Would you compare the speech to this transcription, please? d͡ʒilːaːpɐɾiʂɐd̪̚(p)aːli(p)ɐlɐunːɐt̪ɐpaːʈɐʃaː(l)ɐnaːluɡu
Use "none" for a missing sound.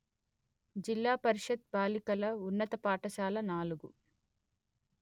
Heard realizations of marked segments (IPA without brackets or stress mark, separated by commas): b, k, l